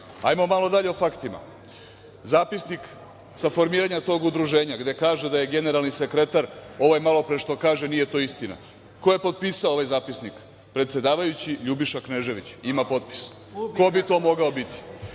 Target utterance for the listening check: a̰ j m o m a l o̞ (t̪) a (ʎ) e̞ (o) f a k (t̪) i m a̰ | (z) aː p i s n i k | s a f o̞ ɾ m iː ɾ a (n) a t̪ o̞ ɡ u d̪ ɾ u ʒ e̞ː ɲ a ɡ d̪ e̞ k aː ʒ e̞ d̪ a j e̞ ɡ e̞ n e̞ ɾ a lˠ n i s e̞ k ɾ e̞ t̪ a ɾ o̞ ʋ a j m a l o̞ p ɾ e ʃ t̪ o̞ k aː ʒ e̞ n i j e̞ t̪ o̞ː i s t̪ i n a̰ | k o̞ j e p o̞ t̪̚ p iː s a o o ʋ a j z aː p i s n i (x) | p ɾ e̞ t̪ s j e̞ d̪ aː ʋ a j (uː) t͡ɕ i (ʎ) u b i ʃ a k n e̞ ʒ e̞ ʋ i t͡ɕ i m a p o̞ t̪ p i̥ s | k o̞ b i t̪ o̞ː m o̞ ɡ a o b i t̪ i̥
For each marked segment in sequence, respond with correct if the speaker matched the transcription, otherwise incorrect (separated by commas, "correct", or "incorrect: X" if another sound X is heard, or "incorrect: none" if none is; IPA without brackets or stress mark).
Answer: incorrect: d̪, correct, correct, correct, correct, incorrect: ɲ, incorrect: k, incorrect: u, correct